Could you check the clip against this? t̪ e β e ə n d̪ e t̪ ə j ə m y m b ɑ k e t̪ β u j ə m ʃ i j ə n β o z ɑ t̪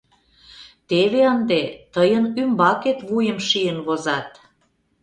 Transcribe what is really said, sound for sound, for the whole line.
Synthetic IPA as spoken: t̪ e β e ə n d̪ e t̪ ə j ə n y m b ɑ k e t̪ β u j ə m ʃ i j ə n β o z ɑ t̪